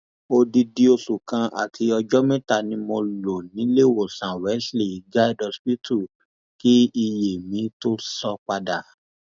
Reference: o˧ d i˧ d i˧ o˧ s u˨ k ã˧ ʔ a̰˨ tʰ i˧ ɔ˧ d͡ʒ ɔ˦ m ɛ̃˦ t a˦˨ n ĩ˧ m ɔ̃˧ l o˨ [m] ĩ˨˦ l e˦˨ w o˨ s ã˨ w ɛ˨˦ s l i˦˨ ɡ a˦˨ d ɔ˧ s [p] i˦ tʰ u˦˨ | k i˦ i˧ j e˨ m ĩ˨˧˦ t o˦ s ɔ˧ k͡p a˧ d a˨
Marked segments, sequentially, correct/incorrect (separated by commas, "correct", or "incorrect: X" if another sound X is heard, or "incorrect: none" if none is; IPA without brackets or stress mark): incorrect: n, correct